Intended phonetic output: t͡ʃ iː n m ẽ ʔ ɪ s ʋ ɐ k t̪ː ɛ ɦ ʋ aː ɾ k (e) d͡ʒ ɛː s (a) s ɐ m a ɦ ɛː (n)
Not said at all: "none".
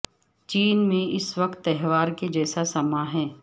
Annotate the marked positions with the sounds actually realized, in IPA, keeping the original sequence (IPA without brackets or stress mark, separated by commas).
e, a, none